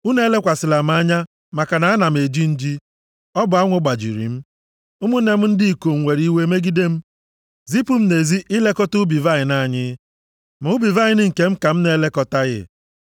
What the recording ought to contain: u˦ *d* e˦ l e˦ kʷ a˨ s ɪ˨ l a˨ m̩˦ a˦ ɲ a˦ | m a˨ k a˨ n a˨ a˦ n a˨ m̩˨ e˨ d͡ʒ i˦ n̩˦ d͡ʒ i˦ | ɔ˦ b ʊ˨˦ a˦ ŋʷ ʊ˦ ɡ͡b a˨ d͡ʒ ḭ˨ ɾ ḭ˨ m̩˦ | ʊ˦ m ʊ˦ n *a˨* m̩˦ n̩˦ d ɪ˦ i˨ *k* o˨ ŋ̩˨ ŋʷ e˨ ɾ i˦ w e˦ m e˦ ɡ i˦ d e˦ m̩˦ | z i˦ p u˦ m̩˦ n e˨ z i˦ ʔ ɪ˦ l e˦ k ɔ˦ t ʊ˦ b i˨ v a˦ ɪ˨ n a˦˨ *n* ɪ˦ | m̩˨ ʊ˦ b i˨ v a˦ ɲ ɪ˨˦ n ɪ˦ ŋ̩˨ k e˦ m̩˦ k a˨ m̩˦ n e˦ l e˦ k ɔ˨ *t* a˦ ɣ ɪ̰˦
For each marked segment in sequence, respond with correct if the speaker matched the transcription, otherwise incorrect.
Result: incorrect, incorrect, correct, incorrect, correct

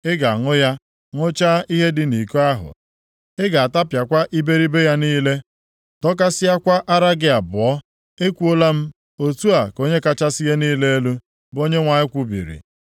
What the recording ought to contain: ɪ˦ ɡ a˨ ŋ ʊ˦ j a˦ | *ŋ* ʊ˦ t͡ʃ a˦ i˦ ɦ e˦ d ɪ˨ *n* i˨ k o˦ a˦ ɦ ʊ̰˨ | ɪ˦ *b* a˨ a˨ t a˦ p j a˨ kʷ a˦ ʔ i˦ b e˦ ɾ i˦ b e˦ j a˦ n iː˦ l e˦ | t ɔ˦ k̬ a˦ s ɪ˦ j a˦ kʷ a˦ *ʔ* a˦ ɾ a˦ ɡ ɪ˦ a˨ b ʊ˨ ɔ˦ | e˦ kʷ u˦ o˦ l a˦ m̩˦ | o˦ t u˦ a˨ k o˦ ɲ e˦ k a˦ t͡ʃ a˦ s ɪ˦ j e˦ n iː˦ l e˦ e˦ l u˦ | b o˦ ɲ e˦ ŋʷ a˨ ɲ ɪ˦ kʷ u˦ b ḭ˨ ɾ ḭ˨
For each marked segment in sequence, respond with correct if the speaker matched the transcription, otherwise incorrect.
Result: correct, correct, incorrect, correct

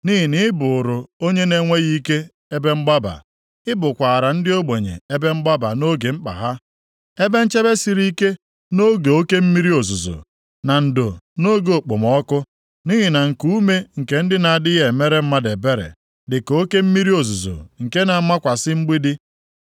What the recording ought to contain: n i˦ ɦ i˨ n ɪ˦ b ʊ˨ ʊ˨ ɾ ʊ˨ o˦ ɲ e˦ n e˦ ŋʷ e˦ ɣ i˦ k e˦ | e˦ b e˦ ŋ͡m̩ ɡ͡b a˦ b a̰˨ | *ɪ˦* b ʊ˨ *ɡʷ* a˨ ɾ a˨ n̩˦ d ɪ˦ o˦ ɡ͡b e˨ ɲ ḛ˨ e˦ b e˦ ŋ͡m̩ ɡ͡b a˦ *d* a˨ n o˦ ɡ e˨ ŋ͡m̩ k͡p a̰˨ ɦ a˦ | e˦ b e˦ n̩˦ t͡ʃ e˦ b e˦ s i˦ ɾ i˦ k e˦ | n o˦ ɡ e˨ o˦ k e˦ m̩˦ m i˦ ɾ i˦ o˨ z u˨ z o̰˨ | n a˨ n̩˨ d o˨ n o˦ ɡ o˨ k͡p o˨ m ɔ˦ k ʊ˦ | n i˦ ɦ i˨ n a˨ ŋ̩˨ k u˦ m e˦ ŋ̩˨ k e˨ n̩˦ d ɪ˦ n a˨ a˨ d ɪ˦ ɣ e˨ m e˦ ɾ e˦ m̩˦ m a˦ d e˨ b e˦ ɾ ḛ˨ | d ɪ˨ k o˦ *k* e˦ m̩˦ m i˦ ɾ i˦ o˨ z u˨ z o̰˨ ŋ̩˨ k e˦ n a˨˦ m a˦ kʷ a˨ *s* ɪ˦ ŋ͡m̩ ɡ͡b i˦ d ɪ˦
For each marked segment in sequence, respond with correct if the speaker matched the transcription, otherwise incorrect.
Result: correct, incorrect, incorrect, correct, correct

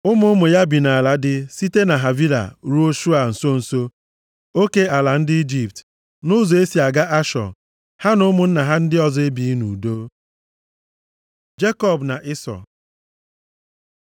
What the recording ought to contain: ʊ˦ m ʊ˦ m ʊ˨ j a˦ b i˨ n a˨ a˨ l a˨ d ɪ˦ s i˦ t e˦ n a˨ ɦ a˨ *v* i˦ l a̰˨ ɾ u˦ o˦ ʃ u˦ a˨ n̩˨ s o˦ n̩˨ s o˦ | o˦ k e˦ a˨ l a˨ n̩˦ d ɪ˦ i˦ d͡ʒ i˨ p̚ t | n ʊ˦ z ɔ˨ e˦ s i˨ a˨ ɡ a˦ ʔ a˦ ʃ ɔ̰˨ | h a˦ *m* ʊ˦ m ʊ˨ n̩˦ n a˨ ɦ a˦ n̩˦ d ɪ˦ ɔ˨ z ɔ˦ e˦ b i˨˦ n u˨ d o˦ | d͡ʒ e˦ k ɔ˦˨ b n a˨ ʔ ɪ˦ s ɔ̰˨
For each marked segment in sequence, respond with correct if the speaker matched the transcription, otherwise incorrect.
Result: correct, incorrect

